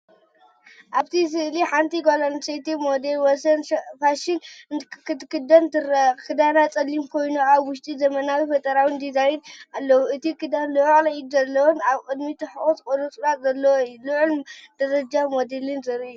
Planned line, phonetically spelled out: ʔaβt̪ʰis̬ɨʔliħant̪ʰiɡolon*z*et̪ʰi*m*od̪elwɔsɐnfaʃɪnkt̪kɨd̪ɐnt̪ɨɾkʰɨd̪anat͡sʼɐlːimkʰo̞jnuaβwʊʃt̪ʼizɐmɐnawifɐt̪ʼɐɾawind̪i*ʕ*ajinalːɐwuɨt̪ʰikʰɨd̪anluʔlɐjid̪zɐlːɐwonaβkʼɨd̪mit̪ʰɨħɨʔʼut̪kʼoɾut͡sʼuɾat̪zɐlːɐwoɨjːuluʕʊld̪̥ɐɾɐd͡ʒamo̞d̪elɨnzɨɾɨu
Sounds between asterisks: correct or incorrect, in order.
incorrect: s, correct, incorrect: z

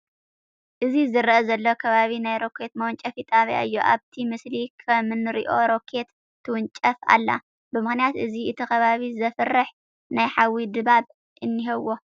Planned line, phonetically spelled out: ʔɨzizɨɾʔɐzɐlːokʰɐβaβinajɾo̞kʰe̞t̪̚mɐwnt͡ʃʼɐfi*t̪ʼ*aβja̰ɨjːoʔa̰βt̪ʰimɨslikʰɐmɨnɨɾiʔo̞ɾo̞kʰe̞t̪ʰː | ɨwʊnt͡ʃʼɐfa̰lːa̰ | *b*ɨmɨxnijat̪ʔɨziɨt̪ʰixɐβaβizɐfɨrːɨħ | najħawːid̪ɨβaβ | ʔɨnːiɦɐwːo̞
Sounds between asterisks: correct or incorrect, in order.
correct, correct

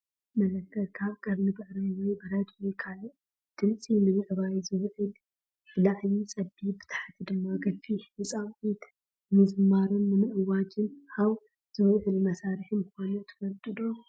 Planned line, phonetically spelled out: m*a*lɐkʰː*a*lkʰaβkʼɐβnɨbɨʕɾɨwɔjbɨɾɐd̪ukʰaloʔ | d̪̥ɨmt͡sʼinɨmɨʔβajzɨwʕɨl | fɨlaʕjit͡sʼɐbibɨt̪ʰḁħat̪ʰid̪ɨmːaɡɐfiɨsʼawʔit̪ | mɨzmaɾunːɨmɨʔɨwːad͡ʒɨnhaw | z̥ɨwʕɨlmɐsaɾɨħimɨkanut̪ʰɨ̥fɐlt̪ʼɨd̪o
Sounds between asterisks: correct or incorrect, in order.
incorrect: ɐ, incorrect: ɐ

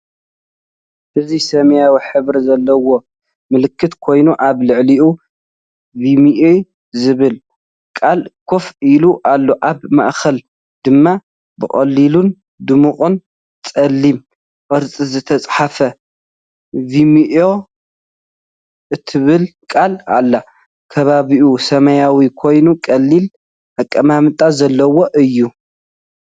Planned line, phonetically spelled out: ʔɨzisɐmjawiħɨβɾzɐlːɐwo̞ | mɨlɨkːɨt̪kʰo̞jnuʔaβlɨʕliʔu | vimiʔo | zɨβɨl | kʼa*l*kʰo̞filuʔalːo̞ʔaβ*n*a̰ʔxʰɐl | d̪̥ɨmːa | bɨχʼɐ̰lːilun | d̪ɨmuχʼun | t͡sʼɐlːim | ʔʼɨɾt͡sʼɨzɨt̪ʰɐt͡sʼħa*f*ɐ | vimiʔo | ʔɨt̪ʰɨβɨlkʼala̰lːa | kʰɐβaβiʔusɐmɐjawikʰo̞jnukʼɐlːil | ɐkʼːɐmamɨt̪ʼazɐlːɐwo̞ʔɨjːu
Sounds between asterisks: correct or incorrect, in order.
correct, incorrect: m, correct

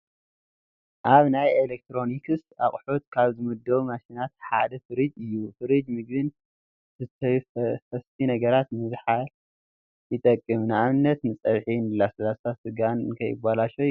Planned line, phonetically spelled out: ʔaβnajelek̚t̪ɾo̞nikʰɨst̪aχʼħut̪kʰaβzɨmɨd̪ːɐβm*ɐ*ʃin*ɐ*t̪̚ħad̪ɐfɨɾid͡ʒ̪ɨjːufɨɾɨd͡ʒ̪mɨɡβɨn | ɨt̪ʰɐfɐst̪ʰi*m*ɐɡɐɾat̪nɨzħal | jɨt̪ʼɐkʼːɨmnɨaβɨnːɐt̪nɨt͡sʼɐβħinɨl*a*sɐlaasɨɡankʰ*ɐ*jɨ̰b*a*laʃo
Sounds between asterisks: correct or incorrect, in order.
incorrect: a, incorrect: a, incorrect: n, correct, correct, correct

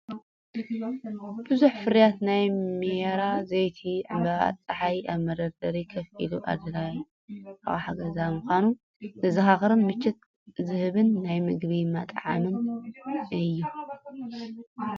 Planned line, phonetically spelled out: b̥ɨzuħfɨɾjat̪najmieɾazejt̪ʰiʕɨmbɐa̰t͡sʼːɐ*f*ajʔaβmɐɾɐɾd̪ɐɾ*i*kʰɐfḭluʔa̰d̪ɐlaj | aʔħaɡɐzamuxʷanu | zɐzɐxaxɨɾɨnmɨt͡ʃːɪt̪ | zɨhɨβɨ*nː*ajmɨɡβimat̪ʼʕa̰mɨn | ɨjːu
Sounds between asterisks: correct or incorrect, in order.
incorrect: ħ, correct, correct

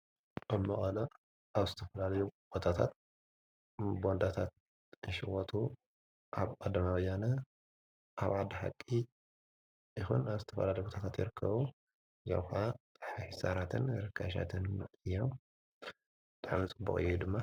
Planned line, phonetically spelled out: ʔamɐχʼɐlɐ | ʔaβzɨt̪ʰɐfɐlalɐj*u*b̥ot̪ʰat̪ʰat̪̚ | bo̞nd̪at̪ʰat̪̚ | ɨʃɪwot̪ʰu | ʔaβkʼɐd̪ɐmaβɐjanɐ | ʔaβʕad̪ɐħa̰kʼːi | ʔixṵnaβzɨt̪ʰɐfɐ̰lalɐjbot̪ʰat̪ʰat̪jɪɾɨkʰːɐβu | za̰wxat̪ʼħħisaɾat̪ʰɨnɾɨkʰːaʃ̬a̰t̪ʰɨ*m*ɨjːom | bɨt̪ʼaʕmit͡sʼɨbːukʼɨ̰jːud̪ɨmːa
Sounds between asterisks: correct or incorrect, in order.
correct, incorrect: n

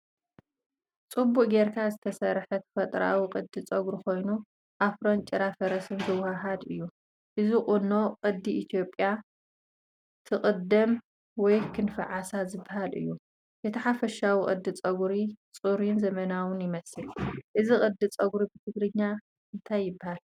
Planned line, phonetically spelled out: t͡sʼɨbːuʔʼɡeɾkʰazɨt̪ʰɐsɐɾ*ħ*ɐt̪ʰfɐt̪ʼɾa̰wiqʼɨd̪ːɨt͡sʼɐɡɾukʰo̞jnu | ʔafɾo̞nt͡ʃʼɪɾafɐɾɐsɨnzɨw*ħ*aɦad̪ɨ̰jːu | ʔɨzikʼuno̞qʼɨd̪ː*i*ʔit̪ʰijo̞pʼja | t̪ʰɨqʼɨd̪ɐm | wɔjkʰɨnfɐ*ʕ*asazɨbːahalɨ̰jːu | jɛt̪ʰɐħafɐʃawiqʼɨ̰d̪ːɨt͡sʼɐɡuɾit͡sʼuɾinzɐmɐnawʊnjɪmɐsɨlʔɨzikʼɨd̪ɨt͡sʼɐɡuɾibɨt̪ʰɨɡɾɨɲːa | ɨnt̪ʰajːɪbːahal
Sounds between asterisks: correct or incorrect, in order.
correct, incorrect: h, correct, correct

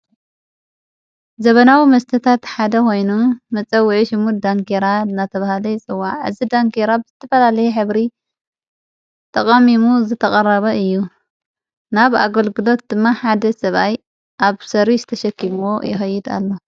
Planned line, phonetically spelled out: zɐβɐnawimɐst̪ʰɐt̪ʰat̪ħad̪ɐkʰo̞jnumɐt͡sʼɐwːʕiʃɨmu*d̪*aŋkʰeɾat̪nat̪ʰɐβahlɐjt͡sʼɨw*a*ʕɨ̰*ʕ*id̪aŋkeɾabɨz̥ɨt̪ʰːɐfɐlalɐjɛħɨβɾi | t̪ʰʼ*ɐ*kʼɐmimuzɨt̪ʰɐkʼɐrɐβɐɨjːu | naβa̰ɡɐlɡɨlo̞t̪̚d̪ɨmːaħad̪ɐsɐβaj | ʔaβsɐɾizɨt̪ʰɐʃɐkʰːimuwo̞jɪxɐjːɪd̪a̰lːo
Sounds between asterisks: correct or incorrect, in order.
correct, correct, incorrect: z, correct

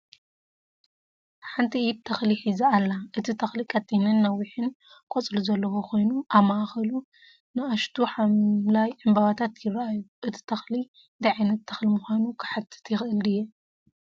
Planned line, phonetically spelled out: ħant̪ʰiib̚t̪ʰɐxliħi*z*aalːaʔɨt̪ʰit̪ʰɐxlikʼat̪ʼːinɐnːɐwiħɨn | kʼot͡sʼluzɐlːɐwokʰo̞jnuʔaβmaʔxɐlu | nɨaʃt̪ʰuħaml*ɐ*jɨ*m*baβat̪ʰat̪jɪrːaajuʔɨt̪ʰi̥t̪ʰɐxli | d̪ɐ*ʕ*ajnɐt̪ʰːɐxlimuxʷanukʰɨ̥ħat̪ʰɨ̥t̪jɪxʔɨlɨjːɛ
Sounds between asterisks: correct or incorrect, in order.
correct, incorrect: a, correct, correct

